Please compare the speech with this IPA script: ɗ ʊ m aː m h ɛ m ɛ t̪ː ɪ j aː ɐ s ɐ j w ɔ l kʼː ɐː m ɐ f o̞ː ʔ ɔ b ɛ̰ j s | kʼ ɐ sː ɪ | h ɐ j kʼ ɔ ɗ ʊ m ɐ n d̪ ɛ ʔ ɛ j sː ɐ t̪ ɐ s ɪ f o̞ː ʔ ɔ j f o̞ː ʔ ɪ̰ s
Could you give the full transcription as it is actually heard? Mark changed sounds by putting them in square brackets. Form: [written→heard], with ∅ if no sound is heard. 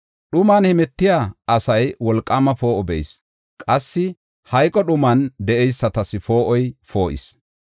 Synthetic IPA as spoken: ɗ ʊ m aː [m→n] h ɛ m ɛ t̪ː ɪ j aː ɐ s ɐ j w ɔ l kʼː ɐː m ɐ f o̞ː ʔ ɔ b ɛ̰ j s | kʼ ɐ sː ɪ | h ɐ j kʼ ɔ ɗ ʊ m ɐ n d̪ ɛ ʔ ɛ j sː ɐ t̪ ɐ s ɪ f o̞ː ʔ ɔ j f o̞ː ʔ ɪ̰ s

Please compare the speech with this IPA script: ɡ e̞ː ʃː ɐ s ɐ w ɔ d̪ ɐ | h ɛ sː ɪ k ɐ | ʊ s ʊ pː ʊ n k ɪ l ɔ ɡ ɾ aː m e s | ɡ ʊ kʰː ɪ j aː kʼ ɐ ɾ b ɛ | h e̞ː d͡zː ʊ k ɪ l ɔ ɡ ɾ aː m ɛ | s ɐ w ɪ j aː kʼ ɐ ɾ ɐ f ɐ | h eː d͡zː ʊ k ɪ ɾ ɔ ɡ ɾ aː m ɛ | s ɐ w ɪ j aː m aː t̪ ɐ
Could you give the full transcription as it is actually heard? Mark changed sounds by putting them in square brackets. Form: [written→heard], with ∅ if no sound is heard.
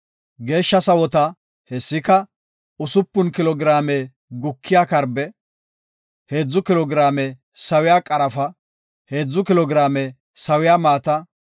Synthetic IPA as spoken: ɡ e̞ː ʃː ɐ s ɐ w ɔ [d̪→t̪] ɐ | h ɛ sː ɪ k ɐ | ʊ s ʊ pː ʊ n k ɪ l ɔ ɡ ɾ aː m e [s→∅] | ɡ ʊ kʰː ɪ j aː [kʼ→k] ɐ ɾ b ɛ | h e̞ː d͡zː ʊ k ɪ l ɔ ɡ ɾ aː m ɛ | s ɐ w ɪ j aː kʼ ɐ ɾ ɐ f ɐ | h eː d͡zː ʊ k ɪ [ɾ→l] ɔ ɡ ɾ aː m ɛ | s ɐ w ɪ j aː m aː t̪ ɐ

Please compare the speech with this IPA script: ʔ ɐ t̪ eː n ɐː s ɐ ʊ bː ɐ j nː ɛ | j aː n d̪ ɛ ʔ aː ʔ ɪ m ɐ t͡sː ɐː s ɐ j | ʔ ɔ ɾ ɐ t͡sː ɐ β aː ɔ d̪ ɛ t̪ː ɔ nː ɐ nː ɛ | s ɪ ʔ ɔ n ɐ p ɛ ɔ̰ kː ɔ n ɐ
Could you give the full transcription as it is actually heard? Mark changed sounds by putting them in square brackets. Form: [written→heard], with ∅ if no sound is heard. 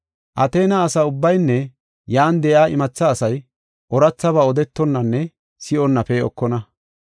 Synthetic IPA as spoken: ʔ ɐ t̪ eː n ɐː s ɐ ʊ bː ɐ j nː ɛ | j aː n d̪ ɛ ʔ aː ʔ ɪ m ɐ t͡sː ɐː s ɐ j | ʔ ɔ ɾ ɐ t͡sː ɐ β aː ɔ d̪ ɛ t̪ː ɔ nː ɐ nː ɛ | s ɪ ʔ ɔ [n→nː] ɐ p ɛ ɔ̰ kː ɔ n ɐ

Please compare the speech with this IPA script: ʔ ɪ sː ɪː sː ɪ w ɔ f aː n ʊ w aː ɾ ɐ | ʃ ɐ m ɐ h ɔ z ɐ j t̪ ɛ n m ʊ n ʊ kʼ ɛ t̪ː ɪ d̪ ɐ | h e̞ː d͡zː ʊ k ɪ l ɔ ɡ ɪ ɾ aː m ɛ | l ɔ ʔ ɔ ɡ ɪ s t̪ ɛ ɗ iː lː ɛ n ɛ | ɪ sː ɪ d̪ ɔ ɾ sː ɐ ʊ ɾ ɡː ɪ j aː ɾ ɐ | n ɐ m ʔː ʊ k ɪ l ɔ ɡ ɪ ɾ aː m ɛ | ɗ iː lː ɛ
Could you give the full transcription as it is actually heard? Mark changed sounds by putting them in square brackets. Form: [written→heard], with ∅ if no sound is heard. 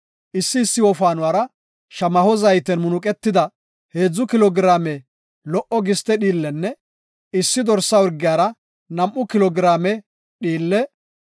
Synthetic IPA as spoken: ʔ ɪ sː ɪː sː ɪ w ɔ f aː n ʊ w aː ɾ ɐ | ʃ ɐ m ɐ h ɔ z ɐ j t̪ ɛ n m ʊ n ʊ kʼ ɛ t̪ː ɪ d̪ ɐ | h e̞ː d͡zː ʊ k ɪ l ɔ ɡ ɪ ɾ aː m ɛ | l ɔ ʔ ɔ ɡ ɪ s t̪ ɛ ɗ iː lː ɛ [n→nː] ɛ | ɪ sː ɪ d̪ ɔ ɾ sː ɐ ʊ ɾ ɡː ɪ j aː ɾ ɐ | n ɐ m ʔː ʊ k ɪ l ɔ ɡ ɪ ɾ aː m ɛ | ɗ iː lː ɛ

